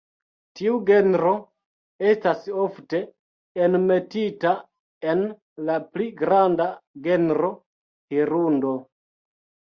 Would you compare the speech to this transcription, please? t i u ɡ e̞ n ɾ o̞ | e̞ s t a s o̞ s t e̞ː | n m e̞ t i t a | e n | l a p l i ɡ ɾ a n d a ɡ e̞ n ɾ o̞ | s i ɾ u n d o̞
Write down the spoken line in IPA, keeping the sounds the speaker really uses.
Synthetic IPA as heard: t i u ɡ e̞ n ɾ o̞ | e̞ s t a s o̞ f t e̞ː | n m e̞ t i t a | e n | l a p l i ɡ ɾ a n d a ɡ e̞ n ɾ o̞ | h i ɾ u n d o̞

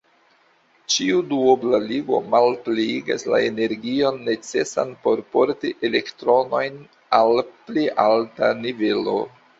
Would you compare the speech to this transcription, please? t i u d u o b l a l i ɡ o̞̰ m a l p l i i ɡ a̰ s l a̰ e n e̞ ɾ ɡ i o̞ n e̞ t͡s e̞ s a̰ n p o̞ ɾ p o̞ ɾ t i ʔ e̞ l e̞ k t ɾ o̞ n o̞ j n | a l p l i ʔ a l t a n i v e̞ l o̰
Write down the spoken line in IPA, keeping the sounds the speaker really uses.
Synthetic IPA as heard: t͡ʃ i u d u o b l a l i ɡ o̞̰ m a l p l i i ɡ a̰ s l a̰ e n e̞ ɾ ɡ i o̞ nː e̞ t͡s e̞ s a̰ n p o̞ ɾ p o̞ ɾ t i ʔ e̞ l e̞ k t ɾ o̞ n o̞ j n | a l p l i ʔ a l t a n i v e̞ l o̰

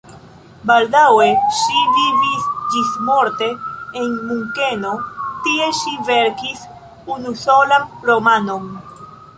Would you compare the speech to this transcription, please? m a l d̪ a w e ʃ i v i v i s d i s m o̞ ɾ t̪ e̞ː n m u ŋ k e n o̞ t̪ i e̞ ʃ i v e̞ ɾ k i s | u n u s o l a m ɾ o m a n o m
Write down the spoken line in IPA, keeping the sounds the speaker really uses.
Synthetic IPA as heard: b a l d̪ a w e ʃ i v i v i s d͡ʒ i s m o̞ ɾ t̪ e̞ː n m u ŋ k e n o̞ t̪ i e̞ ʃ i v e̞ ɾ k i s | u n u s o l a m ɾ o m a n o m

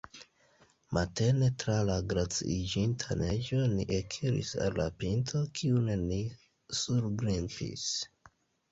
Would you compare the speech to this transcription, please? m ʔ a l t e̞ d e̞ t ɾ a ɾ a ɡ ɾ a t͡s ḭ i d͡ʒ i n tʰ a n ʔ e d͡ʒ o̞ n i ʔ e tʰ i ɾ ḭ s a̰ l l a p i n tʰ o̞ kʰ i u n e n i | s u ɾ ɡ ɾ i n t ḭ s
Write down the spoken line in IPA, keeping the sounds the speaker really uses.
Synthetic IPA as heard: m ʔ a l t e̞ n e̞ t ɾ a l a ɡ ɾ a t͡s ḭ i d͡ʒ i n tʰ a n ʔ e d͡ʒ o̞ n i ʔ e kʰ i ɾ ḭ s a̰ l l a p i n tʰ o̞ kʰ i u n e n i | s u ɾ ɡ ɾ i n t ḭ s

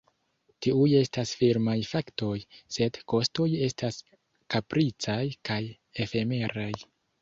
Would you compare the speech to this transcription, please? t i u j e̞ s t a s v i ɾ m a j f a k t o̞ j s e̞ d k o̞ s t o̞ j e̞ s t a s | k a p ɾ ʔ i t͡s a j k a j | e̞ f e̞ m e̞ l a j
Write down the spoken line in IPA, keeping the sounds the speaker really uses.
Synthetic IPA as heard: t i u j e̞ s t a s f i ɾ m a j f a k t o̞ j s e̞ d k o̞ s t o̞ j e̞ s t a s | k a p ɾ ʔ i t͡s a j k a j | e̞ f e̞ m e̞ ɾ a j

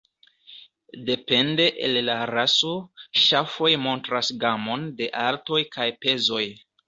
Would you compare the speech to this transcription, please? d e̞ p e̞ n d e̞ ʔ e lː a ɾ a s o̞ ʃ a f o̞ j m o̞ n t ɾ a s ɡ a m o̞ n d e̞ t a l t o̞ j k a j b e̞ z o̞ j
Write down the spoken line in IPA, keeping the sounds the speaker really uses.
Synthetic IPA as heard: d e̞ p e̞ n d e̞ ʔ e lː a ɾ a s o̞ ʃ a f o̞ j m o̞ n t ɾ a s ɡ a m o̞ n d e̞ ʔ a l t o̞ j k a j p e̞ z o̞ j

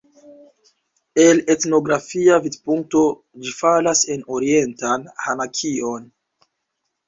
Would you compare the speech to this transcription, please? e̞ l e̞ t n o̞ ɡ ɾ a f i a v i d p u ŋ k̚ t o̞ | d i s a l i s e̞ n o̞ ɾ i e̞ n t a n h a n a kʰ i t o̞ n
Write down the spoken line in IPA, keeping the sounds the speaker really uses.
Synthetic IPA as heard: e̞ l e̞ t n o̞ ɡ ɾ a f i a v i d p u ŋ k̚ t o̞ | d͡ʒ i f a l a s e̞ n o̞ ɾ i e̞ n t a n h a n a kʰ i o̞ n

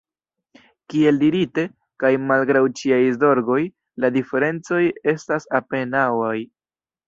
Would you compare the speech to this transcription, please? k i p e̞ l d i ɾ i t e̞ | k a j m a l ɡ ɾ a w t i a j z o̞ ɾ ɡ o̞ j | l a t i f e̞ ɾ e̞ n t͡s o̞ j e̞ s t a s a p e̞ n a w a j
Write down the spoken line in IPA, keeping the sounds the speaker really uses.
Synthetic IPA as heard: k i e̞ l d i ɾ i t e̞ | k a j m a l ɡ ɾ a w t͡ʃ i a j z o̞ ɾ ɡ o̞ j | l a d i f e̞ ɾ e̞ n t͡s o̞ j e̞ s t a s a p e̞ n a w a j

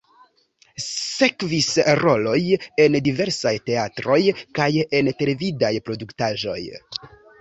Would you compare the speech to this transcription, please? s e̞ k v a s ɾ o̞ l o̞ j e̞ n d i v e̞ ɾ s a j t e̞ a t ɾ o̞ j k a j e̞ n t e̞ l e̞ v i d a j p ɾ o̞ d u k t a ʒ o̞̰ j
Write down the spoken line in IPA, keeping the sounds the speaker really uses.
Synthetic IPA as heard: s e̞ k v i s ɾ o̞ l o̞ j e̞ n d i v e̞ ɾ s a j t e̞ a t ɾ o̞ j k a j e̞ n t e̞ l e̞ v i d a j p ɾ o̞ d u k t a ʒ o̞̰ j

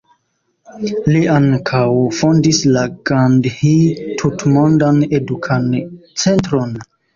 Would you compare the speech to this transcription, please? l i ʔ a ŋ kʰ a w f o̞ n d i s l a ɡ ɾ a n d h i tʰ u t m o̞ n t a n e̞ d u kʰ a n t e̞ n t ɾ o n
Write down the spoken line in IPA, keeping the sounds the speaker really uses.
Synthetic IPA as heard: l i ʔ a ŋ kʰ a w f o̞ n d i s l a ɡ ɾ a n d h i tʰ u t m o̞ n d a n e̞ d u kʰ a n t͡s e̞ n t ɾ o n

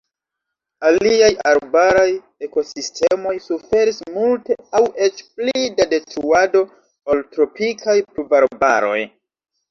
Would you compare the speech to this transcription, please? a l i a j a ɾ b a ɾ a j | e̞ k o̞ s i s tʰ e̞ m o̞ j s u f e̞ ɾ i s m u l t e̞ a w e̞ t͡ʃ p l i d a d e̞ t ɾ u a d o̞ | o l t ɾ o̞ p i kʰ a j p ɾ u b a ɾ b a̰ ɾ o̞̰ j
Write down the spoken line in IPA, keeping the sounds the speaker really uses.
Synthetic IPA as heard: a l i a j a ɾ b a ɾ a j | e̞ k o̞ s i s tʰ e̞ m o̞ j s u f e̞ ɾ i s m u l t e̞ a w e̞ t͡ʃ p l i d a d e̞ t ɾ u a d o̞ | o l t ɾ o̞ p i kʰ a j p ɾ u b a ɾ b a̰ ɾ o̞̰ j

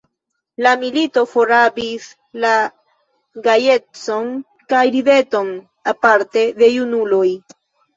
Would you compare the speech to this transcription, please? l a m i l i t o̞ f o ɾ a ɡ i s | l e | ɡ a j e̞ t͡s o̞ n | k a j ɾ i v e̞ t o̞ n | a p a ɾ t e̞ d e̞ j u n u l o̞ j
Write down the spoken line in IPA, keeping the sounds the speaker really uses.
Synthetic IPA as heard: l a m i l i t o̞ f o ɾ a b i s | l a | ɡ a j e̞ t͡s o̞ n | k a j ɾ i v e̞ t o̞ n | a p a ɾ t e̞ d e̞ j u n u l o̞ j

